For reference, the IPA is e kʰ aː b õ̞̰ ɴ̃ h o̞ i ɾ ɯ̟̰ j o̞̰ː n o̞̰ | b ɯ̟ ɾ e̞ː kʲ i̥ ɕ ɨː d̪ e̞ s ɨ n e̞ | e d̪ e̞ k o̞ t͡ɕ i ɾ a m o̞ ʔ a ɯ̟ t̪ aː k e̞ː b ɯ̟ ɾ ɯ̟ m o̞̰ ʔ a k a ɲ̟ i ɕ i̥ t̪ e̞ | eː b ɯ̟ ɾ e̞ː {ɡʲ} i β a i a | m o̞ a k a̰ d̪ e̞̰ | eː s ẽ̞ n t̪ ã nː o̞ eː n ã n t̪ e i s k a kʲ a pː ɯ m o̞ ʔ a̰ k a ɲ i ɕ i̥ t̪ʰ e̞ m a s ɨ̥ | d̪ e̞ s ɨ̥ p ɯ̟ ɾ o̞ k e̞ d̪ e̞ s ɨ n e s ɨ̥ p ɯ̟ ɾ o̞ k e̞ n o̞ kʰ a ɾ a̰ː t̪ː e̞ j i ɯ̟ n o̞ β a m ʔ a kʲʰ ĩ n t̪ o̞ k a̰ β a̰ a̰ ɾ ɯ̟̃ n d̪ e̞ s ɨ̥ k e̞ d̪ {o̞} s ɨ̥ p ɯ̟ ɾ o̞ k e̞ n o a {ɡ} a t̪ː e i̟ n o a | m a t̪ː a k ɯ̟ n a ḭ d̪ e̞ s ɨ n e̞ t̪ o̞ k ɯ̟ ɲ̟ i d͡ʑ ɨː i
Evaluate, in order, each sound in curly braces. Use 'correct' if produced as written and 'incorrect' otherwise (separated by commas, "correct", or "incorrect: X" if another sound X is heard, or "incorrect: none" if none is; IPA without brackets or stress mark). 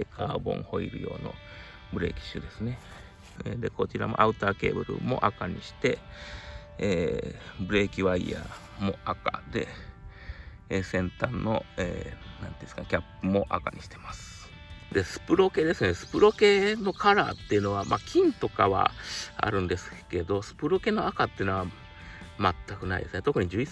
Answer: incorrect: kʲ, correct, incorrect: k